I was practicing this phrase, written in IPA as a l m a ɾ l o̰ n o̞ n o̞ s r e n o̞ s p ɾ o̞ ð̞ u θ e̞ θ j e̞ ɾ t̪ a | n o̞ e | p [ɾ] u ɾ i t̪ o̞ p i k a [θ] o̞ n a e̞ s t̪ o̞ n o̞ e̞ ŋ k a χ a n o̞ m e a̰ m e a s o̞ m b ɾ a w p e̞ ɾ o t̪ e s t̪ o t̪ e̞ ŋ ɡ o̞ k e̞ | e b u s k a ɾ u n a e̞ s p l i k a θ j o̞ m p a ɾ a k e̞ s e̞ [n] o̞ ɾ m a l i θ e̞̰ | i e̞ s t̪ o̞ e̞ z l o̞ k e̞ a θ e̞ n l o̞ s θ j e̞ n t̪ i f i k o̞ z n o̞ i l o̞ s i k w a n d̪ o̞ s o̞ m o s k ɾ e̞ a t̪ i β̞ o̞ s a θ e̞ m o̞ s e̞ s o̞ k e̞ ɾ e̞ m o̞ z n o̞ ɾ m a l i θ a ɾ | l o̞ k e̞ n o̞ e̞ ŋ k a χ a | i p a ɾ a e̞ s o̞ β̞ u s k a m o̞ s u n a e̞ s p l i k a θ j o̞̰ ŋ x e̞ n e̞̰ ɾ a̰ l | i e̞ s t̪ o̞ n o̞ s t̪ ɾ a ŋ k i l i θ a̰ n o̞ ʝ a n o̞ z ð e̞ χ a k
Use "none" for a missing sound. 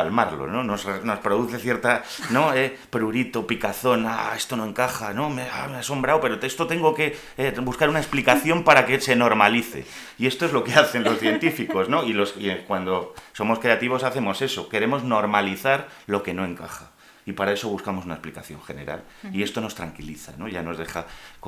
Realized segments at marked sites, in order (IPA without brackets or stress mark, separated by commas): ɾ, θ, n